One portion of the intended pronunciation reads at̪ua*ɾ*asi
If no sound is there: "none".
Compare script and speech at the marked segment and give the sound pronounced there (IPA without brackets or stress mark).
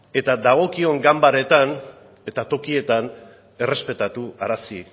ɾ